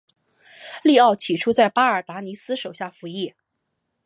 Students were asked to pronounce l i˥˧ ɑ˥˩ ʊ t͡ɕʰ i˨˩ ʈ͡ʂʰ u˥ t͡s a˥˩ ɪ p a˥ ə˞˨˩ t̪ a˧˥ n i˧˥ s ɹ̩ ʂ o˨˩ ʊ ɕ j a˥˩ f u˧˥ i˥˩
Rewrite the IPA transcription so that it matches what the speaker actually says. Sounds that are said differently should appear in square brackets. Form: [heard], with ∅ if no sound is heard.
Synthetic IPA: l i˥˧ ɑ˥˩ ʊ t͡ɕʰ i˨˩ ʈ͡ʂʰ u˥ t͡s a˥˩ ɪ p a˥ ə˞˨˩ t̪ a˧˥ n i˧˥ s ɹ̩ ʂ o˨˩ ʊ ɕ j a˥˩ f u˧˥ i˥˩